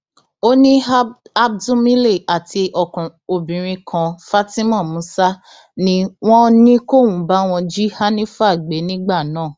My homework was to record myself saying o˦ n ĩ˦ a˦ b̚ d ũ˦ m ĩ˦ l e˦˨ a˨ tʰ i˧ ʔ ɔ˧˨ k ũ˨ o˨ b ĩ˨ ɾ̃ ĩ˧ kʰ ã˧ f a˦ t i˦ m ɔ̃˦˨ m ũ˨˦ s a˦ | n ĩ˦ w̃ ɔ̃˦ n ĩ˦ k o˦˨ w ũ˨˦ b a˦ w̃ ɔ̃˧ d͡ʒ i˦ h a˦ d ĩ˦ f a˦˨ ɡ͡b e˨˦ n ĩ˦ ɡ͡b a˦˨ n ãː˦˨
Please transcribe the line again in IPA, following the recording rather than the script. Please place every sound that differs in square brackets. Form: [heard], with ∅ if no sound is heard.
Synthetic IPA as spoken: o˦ n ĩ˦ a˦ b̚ d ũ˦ m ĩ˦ l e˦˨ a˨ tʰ i˧ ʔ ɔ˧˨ k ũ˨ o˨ b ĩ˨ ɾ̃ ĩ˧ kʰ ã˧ f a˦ t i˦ m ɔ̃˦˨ m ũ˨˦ s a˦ | n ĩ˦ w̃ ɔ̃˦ n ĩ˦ k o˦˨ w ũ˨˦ b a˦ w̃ ɔ̃˧ d͡ʒ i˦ h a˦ [n] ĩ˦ f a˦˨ ɡ͡b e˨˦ n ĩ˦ ɡ͡b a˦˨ n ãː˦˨